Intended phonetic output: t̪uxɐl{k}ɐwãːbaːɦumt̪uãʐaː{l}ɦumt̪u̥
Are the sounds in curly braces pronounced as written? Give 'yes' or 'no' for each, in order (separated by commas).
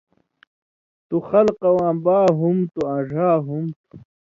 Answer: no, no